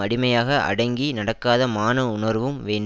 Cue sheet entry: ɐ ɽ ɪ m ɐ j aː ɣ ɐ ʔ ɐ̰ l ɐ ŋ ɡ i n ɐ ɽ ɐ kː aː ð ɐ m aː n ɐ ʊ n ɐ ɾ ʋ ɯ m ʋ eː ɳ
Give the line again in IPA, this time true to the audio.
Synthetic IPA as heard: ɐ ɽ ɪ m ɐ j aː ɣ ɐ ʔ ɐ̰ ɽ ɐ ŋ ɡ i n ɐ ɽ ɐ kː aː ð ɐ m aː n ɐ ʊ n ɐ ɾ ʋ ɯ m ʋ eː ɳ